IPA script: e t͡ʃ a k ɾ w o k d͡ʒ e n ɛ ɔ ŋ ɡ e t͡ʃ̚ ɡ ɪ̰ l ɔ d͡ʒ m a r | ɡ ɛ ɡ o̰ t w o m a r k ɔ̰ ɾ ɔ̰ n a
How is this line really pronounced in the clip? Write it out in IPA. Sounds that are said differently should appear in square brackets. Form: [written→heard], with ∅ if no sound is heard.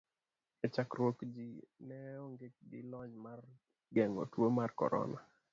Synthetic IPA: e t͡ʃ a k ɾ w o k d͡ʒ [e→i] n ɛ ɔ ŋ ɡ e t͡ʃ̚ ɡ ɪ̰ l ɔ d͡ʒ m a r | ɡ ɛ [ɡ→ŋ] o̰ t w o m a r k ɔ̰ ɾ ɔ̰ n a

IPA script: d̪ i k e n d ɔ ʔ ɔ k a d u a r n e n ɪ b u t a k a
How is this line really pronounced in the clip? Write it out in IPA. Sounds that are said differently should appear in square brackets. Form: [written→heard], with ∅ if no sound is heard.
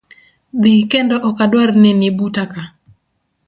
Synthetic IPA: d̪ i k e n d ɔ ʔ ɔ k a d [u→w] a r n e n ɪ b u t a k a

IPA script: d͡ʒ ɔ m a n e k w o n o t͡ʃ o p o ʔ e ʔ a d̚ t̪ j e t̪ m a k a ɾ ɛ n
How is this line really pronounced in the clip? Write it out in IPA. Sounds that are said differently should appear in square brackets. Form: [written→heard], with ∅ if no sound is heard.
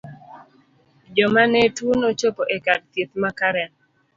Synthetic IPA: d͡ʒ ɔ m a n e [k→t] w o n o t͡ʃ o p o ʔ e [ʔ→k] a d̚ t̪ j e t̪ m a k a ɾ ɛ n

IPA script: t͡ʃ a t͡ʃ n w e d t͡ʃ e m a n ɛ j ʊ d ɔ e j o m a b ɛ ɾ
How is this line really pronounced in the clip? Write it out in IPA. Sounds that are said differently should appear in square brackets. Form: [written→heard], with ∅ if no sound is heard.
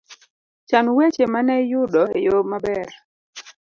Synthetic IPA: t͡ʃ a [t͡ʃ→∅] n w e [d→∅] t͡ʃ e m a n ɛ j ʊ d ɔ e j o m a b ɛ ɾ

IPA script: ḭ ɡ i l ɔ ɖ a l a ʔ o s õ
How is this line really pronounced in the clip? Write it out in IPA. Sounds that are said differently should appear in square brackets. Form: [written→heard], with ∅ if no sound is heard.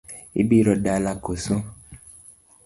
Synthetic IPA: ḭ [ɡ→b] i [l→ɾ] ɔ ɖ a l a [ʔ→k] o s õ

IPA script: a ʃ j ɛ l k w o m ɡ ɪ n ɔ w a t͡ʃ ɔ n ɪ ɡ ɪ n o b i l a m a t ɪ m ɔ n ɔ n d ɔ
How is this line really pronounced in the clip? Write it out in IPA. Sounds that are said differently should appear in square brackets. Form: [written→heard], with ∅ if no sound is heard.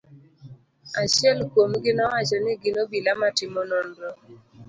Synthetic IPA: a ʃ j ɛ l k w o m ɡ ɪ n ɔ w a t͡ʃ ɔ n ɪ ɡ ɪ n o b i l a m a t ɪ m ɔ n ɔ n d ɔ

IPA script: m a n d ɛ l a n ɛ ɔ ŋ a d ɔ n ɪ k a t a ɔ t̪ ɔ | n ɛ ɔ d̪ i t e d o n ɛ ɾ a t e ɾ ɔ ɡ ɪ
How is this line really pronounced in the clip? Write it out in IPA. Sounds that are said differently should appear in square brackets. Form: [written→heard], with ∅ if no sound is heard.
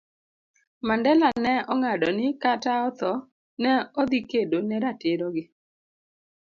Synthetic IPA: m a n d ɛ l a n ɛ ɔ ŋ a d ɔ n ɪ k a t a ɔ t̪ ɔ | n ɛ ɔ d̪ i [t→k] e d o n ɛ ɾ a t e ɾ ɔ ɡ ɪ

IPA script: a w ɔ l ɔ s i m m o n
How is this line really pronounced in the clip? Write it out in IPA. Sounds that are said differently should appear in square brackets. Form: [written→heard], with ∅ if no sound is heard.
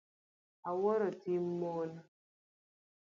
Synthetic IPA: a w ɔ [l→ɾ] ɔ [s→t] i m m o n

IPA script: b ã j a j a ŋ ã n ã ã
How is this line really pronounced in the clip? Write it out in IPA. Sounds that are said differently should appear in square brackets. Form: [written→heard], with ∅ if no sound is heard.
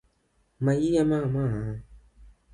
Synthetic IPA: [b→m] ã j [a→i] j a [ŋ→m] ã [n→m] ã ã

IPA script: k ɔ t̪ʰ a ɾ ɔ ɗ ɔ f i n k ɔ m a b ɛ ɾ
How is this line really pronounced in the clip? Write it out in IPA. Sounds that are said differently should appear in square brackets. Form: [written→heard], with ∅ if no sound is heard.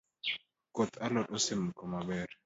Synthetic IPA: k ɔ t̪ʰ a [ɾ→l] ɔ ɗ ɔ [f→s] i [n→m] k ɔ m a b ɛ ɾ

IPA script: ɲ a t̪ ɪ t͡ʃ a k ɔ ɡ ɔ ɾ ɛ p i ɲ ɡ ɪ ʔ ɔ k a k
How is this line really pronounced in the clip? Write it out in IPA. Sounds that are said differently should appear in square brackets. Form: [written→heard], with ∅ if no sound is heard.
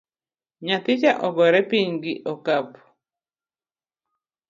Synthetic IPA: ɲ a t̪ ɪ t͡ʃ a [k→ʔ] ɔ ɡ ɔ ɾ ɛ p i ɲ ɡ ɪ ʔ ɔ k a [k→p]

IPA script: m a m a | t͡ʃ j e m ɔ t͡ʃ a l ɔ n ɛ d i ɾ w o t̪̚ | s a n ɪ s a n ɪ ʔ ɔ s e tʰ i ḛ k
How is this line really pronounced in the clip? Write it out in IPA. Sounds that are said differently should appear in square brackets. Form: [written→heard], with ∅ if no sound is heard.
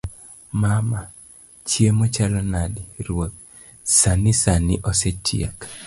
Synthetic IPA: m a m a | t͡ʃ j e m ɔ t͡ʃ a l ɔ n [ɛ→a] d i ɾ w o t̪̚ | s a n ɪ s a n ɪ ʔ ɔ s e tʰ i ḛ k

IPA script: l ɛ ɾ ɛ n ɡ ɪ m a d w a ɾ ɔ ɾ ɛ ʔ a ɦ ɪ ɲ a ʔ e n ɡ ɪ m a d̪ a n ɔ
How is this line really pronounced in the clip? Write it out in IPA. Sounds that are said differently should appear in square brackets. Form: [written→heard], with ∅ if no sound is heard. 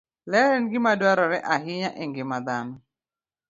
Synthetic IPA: l ɛ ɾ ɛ n ɡ ɪ m a d w a ɾ ɔ ɾ ɛ ʔ a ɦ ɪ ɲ a ʔ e [n→ŋ] ɡ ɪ m a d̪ a n ɔ

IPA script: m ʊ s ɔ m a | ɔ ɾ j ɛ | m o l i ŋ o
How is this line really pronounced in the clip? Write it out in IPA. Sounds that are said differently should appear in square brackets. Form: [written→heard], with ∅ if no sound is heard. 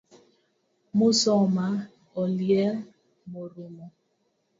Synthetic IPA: m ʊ s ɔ m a | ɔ [ɾ→l] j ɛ | m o [l→ɾ] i [ŋ→m] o

